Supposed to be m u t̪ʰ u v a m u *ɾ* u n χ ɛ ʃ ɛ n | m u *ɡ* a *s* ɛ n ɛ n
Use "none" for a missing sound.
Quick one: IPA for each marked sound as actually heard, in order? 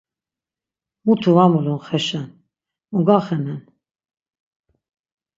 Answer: l, ɡ, χ

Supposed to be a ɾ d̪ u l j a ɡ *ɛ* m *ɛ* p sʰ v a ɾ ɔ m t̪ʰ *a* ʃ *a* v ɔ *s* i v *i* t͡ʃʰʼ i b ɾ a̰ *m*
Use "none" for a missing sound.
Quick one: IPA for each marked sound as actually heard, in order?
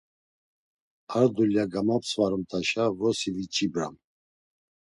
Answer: a, a, a, a, s, i, m

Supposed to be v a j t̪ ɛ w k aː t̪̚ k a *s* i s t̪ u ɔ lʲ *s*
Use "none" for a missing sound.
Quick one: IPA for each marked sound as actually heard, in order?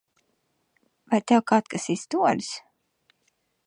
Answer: s, s

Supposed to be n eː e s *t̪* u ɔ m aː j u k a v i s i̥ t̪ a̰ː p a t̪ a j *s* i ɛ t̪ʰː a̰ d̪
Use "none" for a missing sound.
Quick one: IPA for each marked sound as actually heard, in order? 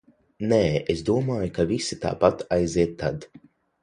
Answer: d̪, z

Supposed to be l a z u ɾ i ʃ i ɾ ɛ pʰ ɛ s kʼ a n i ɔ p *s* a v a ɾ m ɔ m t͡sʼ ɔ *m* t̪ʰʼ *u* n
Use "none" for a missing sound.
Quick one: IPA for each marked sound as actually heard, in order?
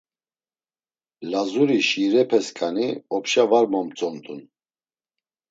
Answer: ʃ, n, u

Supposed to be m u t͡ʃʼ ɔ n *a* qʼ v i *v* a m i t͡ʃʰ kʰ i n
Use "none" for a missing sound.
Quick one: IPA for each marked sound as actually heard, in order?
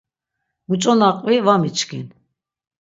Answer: a, v

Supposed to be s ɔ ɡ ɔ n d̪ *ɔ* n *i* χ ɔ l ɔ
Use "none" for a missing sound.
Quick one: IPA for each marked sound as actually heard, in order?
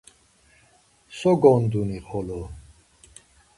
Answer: u, i

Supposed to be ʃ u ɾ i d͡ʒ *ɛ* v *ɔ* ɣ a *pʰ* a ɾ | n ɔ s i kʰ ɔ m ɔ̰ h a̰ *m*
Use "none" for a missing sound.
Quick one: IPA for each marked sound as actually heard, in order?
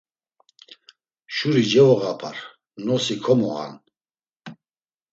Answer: ɛ, ɔ, pʰ, n

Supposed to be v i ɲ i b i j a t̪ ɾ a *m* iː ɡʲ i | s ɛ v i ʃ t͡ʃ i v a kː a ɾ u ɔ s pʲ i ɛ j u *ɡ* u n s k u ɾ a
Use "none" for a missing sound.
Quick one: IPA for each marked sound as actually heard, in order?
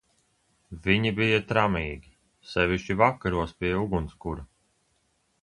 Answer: m, ɡ

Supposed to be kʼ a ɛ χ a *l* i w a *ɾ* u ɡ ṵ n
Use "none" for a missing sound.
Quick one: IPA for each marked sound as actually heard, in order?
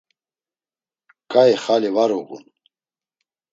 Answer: l, ɾ

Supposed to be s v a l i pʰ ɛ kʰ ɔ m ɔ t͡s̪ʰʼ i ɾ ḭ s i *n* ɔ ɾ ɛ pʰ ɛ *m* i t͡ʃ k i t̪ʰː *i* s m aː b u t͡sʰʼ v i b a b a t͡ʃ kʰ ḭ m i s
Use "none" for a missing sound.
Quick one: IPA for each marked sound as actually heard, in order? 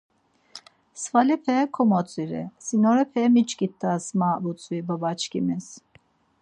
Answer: n, m, a

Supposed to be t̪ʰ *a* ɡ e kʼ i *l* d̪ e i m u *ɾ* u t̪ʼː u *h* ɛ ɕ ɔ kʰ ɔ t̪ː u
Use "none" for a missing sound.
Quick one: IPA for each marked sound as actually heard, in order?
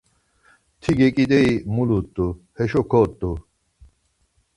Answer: i, none, l, h

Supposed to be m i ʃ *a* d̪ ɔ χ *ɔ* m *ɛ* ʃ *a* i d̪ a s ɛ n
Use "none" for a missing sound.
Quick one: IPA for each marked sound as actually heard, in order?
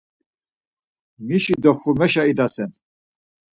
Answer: i, u, ɛ, a

